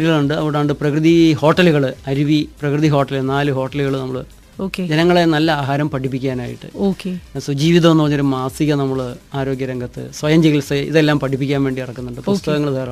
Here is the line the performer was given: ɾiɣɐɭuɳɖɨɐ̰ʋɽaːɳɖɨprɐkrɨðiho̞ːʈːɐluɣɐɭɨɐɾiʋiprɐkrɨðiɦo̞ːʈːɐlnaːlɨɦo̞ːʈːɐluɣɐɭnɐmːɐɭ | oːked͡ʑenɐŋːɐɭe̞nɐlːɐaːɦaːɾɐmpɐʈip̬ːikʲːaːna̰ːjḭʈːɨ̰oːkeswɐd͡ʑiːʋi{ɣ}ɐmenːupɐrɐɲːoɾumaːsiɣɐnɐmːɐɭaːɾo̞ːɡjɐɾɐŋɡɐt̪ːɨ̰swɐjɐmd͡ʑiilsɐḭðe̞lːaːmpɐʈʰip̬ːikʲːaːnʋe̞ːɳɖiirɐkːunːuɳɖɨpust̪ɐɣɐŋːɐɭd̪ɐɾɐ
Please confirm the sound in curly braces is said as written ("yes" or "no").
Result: no